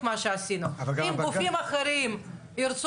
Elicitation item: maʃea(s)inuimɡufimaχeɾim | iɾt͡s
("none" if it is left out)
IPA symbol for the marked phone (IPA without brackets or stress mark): s